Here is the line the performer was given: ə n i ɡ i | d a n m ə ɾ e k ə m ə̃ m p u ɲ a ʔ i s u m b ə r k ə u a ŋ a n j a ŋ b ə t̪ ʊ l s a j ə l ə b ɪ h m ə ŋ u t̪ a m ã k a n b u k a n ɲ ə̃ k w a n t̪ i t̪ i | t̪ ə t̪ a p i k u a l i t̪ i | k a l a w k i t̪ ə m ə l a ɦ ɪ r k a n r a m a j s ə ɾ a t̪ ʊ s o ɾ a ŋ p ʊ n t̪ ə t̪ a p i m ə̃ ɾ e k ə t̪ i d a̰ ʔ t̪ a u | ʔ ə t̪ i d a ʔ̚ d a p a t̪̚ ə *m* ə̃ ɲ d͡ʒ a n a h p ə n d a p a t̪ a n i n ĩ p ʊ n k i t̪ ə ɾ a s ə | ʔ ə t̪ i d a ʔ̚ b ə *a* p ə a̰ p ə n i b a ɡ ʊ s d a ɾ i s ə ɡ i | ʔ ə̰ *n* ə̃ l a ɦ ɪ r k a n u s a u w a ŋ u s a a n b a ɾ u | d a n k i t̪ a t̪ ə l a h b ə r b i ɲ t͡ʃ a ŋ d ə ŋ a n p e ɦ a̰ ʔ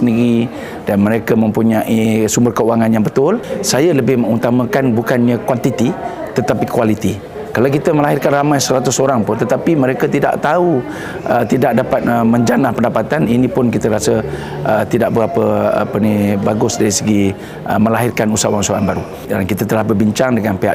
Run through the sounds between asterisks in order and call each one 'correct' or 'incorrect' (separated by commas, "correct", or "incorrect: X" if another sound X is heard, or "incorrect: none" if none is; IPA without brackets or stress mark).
correct, correct, incorrect: m